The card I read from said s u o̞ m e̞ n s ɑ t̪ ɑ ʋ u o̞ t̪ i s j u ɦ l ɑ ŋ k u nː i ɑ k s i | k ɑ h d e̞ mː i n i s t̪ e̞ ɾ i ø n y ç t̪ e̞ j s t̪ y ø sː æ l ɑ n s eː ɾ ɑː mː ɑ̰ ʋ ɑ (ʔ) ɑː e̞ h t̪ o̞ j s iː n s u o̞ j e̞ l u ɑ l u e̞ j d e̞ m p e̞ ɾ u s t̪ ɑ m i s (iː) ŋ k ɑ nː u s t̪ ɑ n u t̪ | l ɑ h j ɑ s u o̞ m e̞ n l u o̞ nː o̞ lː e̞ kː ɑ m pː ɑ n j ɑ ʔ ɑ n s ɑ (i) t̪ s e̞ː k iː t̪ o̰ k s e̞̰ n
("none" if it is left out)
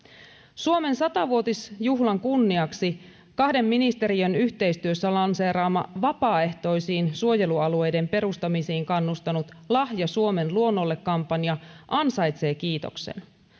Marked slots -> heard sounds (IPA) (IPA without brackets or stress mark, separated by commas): p, iː, j